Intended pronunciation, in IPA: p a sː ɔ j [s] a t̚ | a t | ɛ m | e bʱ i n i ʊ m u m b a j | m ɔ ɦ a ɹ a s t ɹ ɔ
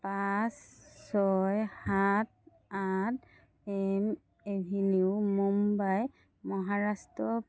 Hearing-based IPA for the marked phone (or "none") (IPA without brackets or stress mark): h